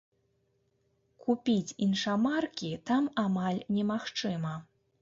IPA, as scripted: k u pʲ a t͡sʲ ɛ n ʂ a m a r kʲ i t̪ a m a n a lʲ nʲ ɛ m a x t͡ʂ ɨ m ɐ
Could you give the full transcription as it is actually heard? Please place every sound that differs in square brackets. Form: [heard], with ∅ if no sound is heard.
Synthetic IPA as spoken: k u pʲ [i] t͡sʲ [i] n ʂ a m a r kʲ i t̪ a m a [m] a lʲ nʲ ɛ m a x t͡ʂ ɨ m ɐ